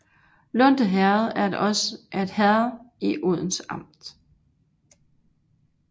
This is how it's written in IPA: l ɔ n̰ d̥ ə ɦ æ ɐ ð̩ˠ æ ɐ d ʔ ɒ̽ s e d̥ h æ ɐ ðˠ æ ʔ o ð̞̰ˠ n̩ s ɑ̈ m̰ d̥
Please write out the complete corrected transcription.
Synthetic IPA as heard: l ɔ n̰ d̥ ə ɦ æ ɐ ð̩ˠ æ ɐ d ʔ ɒ̽ s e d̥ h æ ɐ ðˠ i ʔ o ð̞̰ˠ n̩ s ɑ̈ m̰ d̥